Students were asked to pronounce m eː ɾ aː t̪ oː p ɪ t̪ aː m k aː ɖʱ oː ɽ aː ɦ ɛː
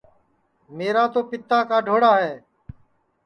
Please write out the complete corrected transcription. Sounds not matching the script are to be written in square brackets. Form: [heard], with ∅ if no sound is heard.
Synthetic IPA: m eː ɾ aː t̪ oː p ɪ t̪ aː [∅] k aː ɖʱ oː ɽ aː ɦ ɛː